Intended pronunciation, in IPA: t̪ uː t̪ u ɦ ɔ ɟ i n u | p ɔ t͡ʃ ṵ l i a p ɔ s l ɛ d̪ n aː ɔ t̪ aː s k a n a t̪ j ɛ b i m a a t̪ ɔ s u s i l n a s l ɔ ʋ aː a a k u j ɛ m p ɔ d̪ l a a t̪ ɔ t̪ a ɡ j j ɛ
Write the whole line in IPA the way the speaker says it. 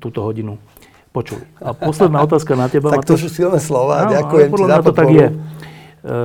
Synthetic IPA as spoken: t̪ uː t̪ ɔ ɦ ɔ ɟ i n u | p ɔ t͡ʃ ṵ l i a p ɔ s l ɛ d̪ n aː ɔ t̪ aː s k a n a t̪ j ɛ b a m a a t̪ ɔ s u s i l n ɛ s l ɔ ʋ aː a a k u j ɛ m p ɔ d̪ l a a t̪ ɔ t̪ a ɡ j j ɛ